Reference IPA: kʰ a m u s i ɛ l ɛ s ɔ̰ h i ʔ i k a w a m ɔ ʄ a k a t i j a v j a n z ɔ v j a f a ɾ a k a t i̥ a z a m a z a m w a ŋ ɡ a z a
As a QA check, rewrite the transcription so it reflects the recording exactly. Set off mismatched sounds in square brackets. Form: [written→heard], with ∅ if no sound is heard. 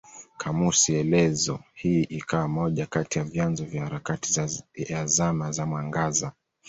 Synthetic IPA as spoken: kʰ a m u s i ɛ l ɛ [s→z] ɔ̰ h i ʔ i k a w a m ɔ ʄ a k a t i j a v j a n z ɔ v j a [f→h] a ɾ a k a t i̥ a z a m a z a m w a ŋ ɡ a z a

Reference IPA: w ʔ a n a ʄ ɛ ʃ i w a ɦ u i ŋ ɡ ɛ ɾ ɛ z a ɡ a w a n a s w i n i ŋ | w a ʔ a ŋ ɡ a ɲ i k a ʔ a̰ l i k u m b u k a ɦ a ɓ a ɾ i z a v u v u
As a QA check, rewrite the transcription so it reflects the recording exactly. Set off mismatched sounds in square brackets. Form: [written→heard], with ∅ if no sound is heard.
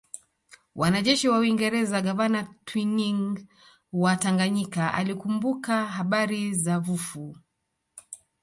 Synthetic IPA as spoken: w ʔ a n a ʄ ɛ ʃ i w a [ɦ→∅] u i ŋ ɡ ɛ ɾ ɛ z a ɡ a [w→v] a n a [s→t] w i n i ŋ | w a [ʔ→t] a ŋ ɡ a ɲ i k a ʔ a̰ l i k u m b u k a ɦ a ɓ a ɾ i z a v u [v→f] u

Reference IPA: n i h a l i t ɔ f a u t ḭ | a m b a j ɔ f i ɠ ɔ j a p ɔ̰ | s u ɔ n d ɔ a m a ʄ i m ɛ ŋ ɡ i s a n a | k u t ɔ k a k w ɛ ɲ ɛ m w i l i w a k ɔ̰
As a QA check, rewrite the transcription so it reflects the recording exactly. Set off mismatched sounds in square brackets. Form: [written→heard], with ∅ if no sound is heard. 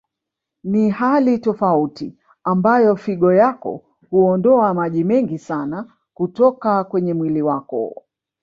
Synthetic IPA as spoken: n i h a l i t ɔ f a u t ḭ | a m b a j ɔ f i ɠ ɔ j a [p→k] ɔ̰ | [s→h] u ɔ n d ɔ a m a ʄ i m ɛ ŋ ɡ i s a n a | k u t ɔ k a k w ɛ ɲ ɛ m w i l i w a k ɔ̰

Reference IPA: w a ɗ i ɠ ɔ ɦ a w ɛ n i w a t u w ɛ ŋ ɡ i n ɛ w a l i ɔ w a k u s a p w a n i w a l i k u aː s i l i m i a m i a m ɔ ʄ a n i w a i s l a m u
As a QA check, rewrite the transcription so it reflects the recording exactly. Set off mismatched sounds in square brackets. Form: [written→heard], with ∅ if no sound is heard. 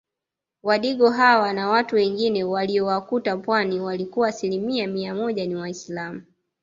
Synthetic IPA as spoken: w a ɗ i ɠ ɔ ɦ a w [ɛ→a] n [i→a] w a t u w ɛ ŋ ɡ i n ɛ w a l i ɔ w a k u [s→t] a p w a n i w a l i k u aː s i l i m i a m i a m ɔ ʄ a n i w a i s l a m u

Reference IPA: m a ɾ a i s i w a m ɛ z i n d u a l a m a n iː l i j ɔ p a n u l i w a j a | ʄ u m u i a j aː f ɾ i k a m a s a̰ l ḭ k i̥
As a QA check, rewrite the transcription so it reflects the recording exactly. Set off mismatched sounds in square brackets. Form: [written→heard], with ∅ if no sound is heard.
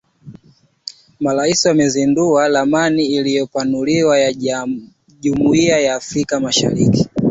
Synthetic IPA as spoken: m a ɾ a i s i w a m ɛ z i n d u a l a m a n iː l i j ɔ p a n u l i w a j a | ʄ u m u i a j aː f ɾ i k a m a [s→ʃ] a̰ [l→ɾ] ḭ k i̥

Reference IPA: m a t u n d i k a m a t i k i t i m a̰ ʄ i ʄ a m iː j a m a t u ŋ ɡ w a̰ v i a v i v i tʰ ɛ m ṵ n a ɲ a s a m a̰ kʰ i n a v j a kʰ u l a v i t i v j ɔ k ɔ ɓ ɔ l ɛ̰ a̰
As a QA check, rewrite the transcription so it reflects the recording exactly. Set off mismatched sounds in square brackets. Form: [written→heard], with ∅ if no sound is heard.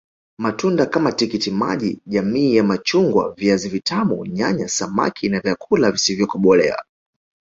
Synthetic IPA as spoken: m a t u n d [i→a] k a m a t i k i t i m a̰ ʄ i ʄ a m iː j a m a [t→t͡ʃ] u ŋ ɡ w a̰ v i a [v→z] i v i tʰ [ɛ→a] m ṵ [n→ɲ] a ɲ a s a m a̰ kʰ i n a v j a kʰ u l a v i [t→s] i v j ɔ k ɔ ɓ ɔ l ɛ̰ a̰

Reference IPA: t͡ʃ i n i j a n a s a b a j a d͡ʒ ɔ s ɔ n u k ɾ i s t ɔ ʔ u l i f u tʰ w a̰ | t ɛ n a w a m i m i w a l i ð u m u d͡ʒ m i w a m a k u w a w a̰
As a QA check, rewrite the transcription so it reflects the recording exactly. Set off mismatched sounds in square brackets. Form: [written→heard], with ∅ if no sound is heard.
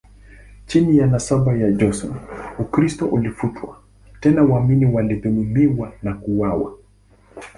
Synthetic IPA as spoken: t͡ʃ i n i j a n a s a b a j a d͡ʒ ɔ s ɔ n u k ɾ i s t ɔ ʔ u l i f u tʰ w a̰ | t ɛ n a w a m i [m→n] i w a l i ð u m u [d͡ʒ→∅] m i w a [m→n] a k u w a w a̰

